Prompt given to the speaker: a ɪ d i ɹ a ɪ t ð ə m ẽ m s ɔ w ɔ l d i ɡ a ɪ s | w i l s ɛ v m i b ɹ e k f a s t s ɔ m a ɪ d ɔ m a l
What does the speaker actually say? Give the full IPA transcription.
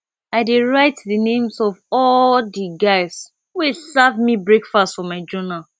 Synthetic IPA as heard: a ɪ d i ɹ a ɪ t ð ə n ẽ m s ɔ v ɔ l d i ɡ a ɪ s | w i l s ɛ v m i b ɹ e k f a s t f ɔ m a ɪ d͡ʒ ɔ n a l